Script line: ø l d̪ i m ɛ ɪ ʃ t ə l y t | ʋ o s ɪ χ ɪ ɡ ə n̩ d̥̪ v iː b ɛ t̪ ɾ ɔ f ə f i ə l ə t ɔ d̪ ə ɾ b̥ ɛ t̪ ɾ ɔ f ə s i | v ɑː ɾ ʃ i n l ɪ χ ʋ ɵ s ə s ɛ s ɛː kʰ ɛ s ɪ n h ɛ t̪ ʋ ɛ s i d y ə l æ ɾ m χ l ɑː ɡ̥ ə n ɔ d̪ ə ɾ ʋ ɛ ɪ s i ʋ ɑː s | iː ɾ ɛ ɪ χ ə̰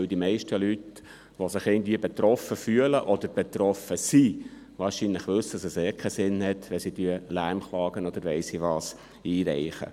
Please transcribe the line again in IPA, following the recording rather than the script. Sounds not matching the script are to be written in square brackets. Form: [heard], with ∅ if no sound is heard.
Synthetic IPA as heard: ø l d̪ i m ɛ ɪ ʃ t ə l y t | ʋ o s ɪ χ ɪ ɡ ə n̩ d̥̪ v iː b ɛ t̪ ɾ ɔ f ə f [y] ə l ə [ʔ] ɔ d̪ ə ɾ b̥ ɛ t̪ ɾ ɔ f ə s i | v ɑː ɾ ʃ i n l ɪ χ ʋ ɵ s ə s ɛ s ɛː kʰ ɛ s ɪ n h ɛ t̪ ʋ ɛ s i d y ə l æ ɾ m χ l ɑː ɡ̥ ə n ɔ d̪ ə ɾ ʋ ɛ ɪ s i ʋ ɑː s | iː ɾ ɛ ɪ χ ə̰